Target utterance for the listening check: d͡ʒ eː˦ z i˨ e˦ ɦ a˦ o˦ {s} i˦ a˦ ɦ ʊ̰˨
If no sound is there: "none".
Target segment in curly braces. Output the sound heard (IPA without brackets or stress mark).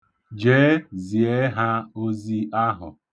z